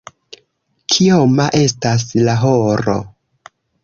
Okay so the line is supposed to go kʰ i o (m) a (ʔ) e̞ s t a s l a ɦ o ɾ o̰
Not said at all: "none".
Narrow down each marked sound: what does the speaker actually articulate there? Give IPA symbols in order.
m, ʔ

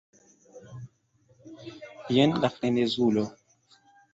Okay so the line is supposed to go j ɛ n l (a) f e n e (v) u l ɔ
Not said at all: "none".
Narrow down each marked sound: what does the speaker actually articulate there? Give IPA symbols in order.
a, z

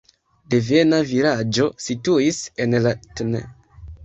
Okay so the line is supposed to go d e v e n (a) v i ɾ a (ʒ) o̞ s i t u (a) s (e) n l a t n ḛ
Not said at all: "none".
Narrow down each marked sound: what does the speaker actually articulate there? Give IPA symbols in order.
a, d͡ʒ, i, e

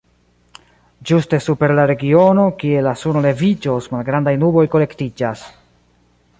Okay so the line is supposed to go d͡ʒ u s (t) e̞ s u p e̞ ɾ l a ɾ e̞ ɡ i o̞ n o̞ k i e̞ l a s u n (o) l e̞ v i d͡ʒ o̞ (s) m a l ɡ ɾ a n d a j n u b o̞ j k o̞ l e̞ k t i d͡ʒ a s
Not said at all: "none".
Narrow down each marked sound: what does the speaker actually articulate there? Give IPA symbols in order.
t, o, s

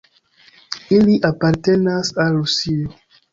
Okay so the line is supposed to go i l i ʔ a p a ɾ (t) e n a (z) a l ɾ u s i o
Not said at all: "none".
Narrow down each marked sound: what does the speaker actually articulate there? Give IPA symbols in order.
t, s

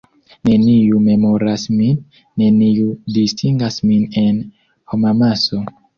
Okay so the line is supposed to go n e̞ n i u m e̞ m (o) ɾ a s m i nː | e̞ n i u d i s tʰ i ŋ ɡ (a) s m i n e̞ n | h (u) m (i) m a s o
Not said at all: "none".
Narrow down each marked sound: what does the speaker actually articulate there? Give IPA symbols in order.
o, a, o, a

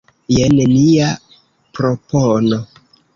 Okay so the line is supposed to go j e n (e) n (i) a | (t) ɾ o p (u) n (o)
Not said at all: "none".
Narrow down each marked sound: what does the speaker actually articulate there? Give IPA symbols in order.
e, i, p, o, o

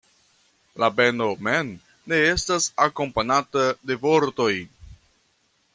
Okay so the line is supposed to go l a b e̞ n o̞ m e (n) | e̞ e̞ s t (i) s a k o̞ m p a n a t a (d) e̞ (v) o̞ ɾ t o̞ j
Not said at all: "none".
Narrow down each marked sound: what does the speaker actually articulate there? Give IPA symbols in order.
nː, a, d, v

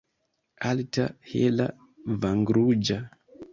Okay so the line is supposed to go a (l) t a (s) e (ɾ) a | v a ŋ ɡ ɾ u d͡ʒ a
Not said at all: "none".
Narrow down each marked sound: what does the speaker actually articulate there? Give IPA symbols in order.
l, h, l

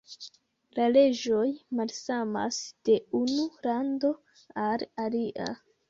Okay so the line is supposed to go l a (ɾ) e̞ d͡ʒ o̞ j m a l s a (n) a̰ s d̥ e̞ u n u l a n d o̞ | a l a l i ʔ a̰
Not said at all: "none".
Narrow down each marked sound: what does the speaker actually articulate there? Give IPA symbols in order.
l, m

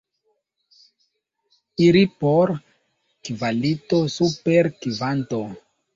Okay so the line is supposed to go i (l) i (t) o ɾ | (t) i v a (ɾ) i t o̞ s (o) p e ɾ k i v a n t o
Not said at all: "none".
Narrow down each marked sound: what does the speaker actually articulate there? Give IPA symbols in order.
ɾ, p, k, l, u

